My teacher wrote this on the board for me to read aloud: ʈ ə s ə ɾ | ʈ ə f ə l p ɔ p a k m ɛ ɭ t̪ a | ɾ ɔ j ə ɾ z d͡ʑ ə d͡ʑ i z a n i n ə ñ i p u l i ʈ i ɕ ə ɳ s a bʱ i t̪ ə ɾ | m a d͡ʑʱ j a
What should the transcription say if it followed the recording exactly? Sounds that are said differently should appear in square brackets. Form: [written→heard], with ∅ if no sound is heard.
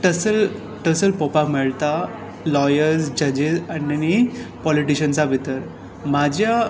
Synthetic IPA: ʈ ə s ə [ɾ→l] | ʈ ə [f→s] ə l p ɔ p a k m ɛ ɭ t̪ a | [ɾ→l] ɔ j ə ɾ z d͡ʑ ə d͡ʑ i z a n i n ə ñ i p [u→ɔ] l i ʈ i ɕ ə [ɳ→n] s a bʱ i t̪ ə ɾ | m a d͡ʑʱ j a